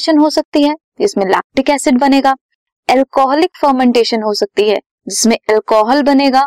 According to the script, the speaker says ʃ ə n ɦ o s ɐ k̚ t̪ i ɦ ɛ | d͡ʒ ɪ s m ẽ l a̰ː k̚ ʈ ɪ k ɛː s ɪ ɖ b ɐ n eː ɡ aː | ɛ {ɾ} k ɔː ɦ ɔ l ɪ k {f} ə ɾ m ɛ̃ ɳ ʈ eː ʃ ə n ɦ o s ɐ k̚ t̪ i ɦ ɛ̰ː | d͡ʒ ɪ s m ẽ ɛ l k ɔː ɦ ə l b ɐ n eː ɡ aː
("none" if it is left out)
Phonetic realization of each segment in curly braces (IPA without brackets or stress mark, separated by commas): l, f